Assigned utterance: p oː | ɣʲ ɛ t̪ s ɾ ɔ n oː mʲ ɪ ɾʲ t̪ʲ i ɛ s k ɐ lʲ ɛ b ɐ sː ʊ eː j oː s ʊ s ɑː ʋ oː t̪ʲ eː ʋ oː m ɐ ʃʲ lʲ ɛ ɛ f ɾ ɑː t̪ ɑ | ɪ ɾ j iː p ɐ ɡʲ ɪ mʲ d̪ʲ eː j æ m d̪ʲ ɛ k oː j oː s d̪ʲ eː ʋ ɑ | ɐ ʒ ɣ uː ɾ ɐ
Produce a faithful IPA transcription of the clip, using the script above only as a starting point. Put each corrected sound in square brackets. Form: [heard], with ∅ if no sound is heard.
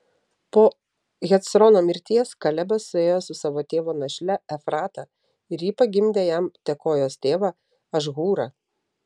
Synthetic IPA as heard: p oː | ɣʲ ɛ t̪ s ɾ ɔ n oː mʲ ɪ ɾʲ t̪ʲ i ɛ s k ɐ lʲ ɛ b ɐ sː ʊ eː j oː s ʊ s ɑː ʋ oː t̪ʲ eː ʋ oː [n] ɐ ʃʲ lʲ ɛ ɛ f ɾ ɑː t̪ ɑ | ɪ ɾ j iː p ɐ ɡʲ ɪ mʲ d̪ʲ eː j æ m [t̪ʲ] ɛ k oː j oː s [t̪ʲ] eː ʋ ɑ | ɐ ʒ ɣ uː ɾ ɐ